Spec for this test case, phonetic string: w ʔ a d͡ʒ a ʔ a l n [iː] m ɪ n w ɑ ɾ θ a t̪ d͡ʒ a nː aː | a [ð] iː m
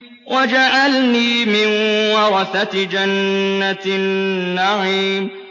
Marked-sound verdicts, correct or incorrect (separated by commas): correct, incorrect